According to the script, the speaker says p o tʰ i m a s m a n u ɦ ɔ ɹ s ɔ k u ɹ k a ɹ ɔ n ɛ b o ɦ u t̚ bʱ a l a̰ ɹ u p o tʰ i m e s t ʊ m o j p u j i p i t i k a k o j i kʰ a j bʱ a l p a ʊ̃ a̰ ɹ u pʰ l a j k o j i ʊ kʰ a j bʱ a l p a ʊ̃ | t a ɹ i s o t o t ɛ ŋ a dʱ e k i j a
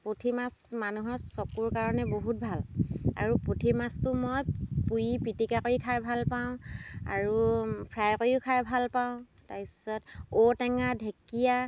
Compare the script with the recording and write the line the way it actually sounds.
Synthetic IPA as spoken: p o tʰ i m a s m a n u ɦ ɔ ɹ s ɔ k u ɹ k a ɹ ɔ n ɛ b o ɦ u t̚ bʱ a l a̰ ɹ u p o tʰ i m a s t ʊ m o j p u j i p i t i k a k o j i kʰ a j bʱ a l p a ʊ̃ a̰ ɹ u pʰ ɹ a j k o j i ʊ kʰ a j bʱ a l p a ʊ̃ | t a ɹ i s ɔ t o t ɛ ŋ a dʱ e k i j a